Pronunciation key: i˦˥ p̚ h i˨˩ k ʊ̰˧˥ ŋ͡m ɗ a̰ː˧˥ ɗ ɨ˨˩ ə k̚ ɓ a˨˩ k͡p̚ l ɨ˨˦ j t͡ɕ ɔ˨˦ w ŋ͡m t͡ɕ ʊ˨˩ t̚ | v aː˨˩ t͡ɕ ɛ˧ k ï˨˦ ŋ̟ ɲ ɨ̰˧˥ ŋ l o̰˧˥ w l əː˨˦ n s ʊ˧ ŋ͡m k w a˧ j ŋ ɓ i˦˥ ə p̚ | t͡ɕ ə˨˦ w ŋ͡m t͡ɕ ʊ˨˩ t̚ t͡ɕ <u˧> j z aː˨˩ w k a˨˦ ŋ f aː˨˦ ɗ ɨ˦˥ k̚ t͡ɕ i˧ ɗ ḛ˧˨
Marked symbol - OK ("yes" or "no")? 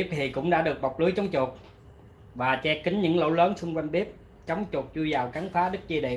yes